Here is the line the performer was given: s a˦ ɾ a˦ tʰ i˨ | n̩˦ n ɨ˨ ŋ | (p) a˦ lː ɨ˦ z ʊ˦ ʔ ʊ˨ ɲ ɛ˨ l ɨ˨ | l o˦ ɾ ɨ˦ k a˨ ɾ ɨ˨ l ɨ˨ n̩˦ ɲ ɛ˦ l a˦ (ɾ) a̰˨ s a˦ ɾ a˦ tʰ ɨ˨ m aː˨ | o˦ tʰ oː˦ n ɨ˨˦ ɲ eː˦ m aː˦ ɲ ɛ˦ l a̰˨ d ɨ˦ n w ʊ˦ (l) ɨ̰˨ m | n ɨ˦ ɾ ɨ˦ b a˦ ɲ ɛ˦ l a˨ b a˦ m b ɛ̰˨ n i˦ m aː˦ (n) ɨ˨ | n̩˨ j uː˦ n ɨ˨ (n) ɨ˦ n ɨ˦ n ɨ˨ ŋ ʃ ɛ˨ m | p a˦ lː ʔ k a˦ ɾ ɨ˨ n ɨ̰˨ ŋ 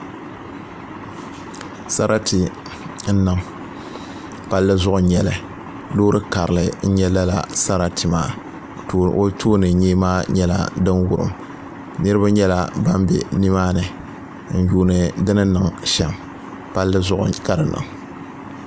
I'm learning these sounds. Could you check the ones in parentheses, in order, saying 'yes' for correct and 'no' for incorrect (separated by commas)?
yes, no, no, yes, no